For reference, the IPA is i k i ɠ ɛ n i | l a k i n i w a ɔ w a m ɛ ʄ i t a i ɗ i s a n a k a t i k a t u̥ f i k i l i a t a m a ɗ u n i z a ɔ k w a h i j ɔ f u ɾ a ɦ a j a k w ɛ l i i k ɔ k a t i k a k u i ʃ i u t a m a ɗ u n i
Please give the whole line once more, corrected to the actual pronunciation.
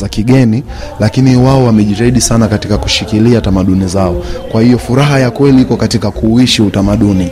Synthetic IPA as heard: a k i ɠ ɛ n i | l a k i n i w a ɔ w a m ɛ ʄ i t a i ɗ i s a n a k a t i k a k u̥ ʃ i k i l i a t a m a ɗ u n i z a ɔ k w a h i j ɔ f u ɾ a ɦ a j a k w ɛ l i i k ɔ k a t i k a k u i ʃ i u t a m a ɗ u n i